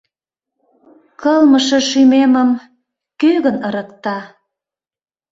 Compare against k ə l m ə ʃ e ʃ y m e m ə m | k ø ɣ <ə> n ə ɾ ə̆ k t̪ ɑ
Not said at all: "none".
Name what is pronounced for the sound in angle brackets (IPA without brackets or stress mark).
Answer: ə